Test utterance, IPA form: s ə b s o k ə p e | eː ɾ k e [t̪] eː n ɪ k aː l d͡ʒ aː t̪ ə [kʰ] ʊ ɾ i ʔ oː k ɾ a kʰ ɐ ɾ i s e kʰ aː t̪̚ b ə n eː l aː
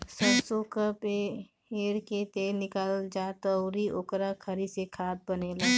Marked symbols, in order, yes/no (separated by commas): yes, no